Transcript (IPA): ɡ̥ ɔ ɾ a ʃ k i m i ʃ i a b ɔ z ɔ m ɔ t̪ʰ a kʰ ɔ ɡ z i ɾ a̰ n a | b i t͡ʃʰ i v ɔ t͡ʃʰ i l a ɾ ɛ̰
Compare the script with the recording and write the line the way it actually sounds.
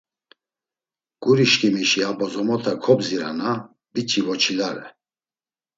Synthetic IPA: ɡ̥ u ɾ i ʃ k i m i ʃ i a b ɔ z ɔ m ɔ t̪ʰ a kʰ ɔ b z i ɾ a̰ n a | b i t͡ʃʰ i v ɔ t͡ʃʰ i l a ɾ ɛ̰